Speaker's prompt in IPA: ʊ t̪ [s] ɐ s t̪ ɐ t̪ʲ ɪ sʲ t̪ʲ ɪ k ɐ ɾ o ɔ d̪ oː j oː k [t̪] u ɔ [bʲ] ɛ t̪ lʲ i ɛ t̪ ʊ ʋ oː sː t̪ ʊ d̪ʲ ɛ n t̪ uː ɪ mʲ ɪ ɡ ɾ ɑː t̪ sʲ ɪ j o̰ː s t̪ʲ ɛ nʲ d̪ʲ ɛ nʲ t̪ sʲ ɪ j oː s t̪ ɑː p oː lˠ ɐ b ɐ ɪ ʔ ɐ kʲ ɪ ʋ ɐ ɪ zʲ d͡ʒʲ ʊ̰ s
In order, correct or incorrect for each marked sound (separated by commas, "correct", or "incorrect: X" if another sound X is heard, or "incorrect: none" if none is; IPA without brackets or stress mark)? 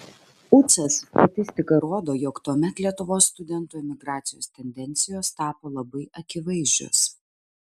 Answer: correct, correct, incorrect: mʲ